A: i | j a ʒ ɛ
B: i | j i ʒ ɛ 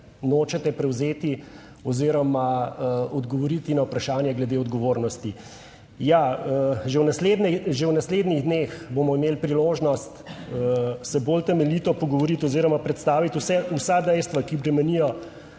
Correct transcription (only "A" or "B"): A